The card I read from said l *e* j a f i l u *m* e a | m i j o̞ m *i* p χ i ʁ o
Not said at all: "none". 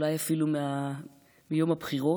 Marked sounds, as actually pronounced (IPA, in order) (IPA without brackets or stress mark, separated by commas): a, m, a